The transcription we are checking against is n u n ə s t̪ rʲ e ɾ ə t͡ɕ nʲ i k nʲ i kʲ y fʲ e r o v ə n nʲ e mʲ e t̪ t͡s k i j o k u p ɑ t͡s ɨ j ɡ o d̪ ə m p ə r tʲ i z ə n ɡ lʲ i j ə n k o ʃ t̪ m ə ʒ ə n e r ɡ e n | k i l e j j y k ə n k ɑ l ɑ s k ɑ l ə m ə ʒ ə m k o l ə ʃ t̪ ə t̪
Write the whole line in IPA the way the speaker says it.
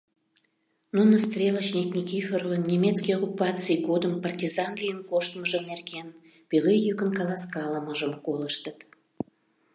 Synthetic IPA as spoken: n u n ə s t̪ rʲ e l ə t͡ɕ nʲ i k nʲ i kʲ i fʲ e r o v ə n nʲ e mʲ e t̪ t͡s k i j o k u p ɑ t͡s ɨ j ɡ o d̪ ə m p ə r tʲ i z ɑ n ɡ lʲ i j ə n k o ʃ t̪ m ə ʒ ə n e r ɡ e n | p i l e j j y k ə n k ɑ l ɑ s k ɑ l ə m ə ʒ ə m k o l ə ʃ t̪ ə t̪